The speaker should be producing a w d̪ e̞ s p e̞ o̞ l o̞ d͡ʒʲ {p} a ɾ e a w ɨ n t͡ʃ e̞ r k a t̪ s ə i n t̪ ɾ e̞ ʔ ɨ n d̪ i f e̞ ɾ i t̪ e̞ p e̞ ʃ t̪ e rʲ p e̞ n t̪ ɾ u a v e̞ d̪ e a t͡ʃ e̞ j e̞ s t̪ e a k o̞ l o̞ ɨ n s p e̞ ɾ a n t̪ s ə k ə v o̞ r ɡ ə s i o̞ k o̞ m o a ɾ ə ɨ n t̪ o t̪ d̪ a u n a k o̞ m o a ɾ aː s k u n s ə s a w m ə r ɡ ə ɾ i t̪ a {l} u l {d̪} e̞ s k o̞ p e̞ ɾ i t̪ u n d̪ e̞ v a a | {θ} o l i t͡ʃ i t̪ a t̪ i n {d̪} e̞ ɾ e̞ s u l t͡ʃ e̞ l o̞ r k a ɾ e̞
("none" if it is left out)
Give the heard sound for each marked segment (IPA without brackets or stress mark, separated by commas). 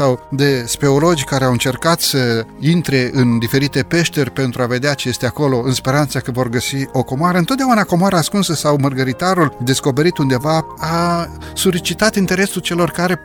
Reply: k, ɾ, d̪, s, t̪